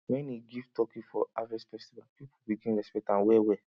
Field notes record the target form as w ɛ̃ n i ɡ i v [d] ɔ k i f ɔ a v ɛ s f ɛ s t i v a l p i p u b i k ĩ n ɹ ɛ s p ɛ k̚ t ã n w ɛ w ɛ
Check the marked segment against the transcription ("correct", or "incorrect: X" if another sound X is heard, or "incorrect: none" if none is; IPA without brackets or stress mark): incorrect: t